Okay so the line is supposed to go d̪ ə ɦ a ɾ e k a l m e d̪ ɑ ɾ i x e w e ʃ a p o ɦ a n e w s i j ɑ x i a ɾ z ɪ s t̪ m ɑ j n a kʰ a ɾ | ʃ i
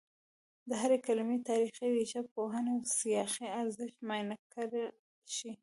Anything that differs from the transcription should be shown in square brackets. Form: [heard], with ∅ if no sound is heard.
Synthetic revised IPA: d̪ ə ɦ a ɾ e k a l m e [t̪] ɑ ɾ i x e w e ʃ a p o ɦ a n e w s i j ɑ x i a ɾ z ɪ [ʃ] t̪ m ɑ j n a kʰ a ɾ | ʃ i